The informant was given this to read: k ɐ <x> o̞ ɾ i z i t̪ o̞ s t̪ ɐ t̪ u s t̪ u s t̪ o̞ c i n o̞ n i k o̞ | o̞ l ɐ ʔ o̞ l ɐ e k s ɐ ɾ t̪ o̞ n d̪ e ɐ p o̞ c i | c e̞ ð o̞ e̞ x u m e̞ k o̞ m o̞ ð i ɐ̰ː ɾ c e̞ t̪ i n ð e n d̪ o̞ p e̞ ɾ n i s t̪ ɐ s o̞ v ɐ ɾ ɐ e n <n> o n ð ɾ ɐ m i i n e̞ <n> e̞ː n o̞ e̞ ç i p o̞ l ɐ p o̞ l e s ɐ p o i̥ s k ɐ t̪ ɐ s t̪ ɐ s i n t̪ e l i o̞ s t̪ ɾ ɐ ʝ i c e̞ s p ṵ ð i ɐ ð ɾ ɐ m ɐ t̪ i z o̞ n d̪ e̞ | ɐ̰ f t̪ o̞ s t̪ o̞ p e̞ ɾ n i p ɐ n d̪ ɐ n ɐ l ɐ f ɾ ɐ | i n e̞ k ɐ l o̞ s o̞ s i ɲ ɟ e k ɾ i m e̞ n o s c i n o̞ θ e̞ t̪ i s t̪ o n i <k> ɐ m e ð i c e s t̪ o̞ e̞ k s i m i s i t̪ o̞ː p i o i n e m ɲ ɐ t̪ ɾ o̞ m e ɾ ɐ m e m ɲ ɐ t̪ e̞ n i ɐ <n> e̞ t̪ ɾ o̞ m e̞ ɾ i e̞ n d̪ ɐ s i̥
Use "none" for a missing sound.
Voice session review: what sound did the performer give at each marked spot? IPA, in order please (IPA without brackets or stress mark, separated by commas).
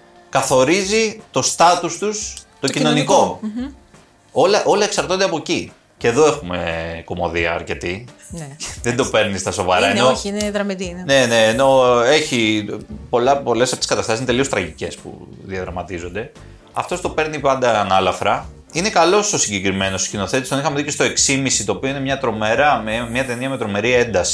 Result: θ, n, n, x, m